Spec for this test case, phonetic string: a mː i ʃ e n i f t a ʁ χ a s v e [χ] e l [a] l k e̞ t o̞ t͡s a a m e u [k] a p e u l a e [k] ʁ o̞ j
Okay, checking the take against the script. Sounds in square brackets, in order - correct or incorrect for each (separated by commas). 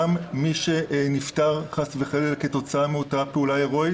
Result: correct, incorrect, incorrect, incorrect